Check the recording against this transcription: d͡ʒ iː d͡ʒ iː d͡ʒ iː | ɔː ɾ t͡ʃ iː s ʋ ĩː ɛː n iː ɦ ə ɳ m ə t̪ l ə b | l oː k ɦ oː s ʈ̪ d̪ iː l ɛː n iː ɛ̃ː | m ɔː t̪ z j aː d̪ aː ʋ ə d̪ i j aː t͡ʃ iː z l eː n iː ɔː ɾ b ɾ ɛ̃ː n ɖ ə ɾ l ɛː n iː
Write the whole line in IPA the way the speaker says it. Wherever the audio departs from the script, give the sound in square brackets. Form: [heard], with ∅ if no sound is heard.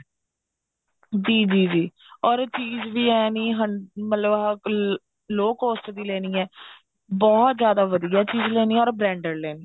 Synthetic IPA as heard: d͡ʒ iː d͡ʒ iː d͡ʒ iː | ɔː ɾ t͡ʃ iː [z] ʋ [iː] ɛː n iː ɦ ə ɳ m ə t̪ l ə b | l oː k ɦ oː s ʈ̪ d̪ iː l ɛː n iː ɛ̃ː | [b] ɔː t̪ z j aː d̪ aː ʋ ə d̪ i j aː t͡ʃ iː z l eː n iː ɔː ɾ b ɾ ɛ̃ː [ɳ] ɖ ə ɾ l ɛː n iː

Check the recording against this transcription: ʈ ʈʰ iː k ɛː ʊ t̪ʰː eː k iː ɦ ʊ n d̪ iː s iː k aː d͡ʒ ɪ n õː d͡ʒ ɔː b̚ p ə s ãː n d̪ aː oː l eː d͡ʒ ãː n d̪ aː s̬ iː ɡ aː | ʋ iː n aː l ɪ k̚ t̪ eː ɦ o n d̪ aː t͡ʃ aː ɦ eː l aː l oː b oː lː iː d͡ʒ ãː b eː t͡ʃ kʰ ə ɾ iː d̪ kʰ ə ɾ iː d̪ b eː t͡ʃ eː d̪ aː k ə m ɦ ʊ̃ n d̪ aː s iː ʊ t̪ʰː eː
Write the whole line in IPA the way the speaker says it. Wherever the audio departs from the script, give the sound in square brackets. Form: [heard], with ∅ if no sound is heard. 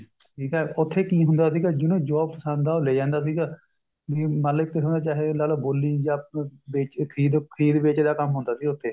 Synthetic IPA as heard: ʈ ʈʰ iː k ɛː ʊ t̪ʰː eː k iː ɦ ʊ n d̪ [aː] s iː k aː d͡ʒ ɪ n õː d͡ʒ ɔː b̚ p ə s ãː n d̪ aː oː l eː d͡ʒ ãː n d̪ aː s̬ iː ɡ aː | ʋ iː [m] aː l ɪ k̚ t̪ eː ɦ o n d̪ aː t͡ʃ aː ɦ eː l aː l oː b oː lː iː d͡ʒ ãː b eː t͡ʃ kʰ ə ɾ iː d̪ kʰ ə ɾ iː d̪ b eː t͡ʃ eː d̪ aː k ə m ɦ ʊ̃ n d̪ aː s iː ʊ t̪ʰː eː

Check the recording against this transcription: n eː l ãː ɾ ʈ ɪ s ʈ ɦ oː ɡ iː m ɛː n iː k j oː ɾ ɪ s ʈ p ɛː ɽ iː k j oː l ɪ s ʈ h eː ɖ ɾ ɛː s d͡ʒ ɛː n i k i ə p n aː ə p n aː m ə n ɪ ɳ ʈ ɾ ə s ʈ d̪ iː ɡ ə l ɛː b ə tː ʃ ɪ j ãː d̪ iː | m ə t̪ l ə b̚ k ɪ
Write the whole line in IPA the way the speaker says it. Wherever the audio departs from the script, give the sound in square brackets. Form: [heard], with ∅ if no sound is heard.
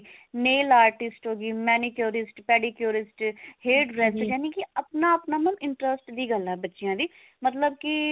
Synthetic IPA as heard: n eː l [aː] ɾ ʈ ɪ s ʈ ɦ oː ɡ iː m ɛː n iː k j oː ɾ ɪ s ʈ p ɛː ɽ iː k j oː [ɾ] ɪ s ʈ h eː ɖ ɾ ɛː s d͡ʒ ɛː n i k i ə p n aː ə p n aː m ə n ɪ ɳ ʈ ɾ ə s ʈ d̪ iː ɡ ə l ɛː b ə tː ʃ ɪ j ãː d̪ iː | m ə t̪ l ə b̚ k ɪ

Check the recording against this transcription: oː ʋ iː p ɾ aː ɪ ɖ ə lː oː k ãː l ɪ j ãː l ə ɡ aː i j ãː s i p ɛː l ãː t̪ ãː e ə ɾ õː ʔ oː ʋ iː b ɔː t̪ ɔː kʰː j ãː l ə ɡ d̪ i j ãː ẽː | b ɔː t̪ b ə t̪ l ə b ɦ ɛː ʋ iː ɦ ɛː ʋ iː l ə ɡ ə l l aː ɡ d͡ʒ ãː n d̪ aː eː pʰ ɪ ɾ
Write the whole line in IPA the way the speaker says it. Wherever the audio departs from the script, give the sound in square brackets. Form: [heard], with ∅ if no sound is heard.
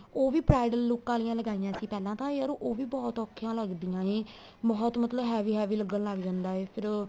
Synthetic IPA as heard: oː ʋ iː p ɾ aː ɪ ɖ ə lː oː k ãː l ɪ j ãː l ə ɡ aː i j ãː s [iː] p ɛː l ãː t̪ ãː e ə ɾ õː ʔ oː ʋ iː b ɔː t̪ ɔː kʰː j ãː l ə ɡ d̪ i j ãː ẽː | b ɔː t̪ [m] ə t̪ l ə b ɦ ɛː ʋ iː ɦ ɛː ʋ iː l ə ɡ ə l l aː ɡ d͡ʒ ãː n d̪ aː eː pʰ ɪ ɾ

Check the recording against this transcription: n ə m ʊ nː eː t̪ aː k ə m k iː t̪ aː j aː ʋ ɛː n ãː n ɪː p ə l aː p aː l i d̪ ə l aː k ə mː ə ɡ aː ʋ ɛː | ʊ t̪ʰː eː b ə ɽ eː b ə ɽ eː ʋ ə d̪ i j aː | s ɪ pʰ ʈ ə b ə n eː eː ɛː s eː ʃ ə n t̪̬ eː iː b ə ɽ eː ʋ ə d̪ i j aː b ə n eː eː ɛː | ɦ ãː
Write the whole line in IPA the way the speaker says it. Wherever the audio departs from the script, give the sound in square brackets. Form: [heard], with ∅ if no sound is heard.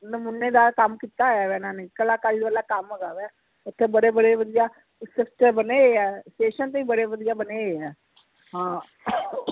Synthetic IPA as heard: n ə m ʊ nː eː [d̪] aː k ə m k iː t̪ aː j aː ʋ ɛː n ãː n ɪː [k] ə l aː [k] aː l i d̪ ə l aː k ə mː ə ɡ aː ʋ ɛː | ʊ t̪ʰː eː b ə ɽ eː b ə ɽ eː ʋ ə d̪ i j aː | s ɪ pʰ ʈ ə b ə n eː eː ɛː s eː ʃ ə n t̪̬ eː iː b ə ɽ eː ʋ ə d̪ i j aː b ə n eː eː ɛː | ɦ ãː

